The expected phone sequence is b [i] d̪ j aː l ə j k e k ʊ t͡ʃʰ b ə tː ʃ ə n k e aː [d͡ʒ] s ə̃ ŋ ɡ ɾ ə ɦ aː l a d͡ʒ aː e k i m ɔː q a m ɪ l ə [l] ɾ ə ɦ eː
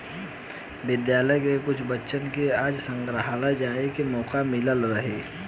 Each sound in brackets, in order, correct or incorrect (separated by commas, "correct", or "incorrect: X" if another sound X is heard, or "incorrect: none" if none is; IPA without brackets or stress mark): incorrect: ɪ, correct, correct